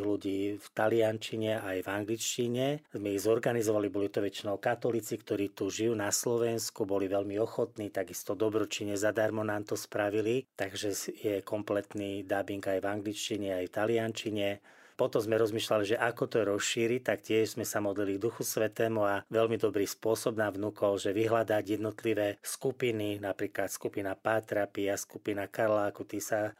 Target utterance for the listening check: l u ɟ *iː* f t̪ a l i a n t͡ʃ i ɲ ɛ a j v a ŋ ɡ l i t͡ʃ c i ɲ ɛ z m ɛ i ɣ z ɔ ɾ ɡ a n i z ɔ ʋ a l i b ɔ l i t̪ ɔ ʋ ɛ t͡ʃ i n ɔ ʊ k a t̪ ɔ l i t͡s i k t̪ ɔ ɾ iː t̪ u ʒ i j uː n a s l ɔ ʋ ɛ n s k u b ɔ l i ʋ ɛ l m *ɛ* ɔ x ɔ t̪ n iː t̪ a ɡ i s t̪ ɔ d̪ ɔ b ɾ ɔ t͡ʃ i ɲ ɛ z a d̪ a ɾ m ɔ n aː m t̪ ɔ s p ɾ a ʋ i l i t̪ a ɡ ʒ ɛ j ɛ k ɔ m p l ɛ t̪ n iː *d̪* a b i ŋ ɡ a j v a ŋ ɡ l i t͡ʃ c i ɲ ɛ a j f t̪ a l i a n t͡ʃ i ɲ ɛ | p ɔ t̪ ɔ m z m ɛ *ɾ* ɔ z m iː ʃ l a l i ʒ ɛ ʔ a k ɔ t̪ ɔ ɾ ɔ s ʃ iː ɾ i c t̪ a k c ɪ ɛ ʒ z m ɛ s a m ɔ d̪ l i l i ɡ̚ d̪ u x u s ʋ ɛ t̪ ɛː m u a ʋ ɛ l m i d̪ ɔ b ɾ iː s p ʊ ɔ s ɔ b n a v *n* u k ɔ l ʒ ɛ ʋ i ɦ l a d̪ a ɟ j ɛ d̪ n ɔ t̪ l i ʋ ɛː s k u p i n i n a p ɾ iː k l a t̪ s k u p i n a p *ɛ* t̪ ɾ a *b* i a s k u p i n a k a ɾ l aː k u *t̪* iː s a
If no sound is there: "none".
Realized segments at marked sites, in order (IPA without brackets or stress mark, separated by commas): iː, i, d̪, ɾ, n, a, p, t̪